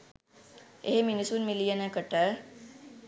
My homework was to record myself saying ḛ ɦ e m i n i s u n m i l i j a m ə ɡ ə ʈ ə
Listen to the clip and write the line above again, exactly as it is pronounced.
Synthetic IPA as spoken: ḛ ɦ e m i n i s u n m i l i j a n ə k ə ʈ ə

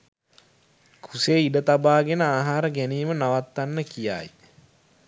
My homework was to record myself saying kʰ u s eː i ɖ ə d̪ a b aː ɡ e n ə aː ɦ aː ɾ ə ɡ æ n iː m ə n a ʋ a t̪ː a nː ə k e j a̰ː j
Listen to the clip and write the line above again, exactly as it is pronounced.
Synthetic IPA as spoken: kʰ u s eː i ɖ ə t̪ a b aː ɡ e n ə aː ɦ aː ɾ ə ɡ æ n iː m ə n a ʋ a t̪ː a nː ə k i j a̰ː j

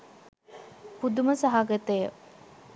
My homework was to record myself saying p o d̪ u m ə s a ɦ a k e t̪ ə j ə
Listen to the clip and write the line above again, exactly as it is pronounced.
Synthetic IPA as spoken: p u d̪ u m ə s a ɦ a ɡ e t̪ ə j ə

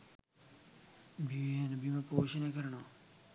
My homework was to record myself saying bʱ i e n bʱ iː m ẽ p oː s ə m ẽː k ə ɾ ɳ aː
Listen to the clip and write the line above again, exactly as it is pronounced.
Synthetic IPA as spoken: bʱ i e n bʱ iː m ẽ p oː ʃ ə n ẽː k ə ɾ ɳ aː

